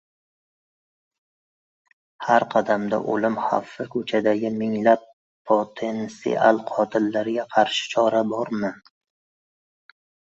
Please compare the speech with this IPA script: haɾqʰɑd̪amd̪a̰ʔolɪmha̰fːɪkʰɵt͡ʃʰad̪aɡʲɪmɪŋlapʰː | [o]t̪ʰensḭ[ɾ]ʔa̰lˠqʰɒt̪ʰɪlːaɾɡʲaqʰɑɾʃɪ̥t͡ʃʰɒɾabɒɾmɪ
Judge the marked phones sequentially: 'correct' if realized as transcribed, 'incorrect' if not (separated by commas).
correct, incorrect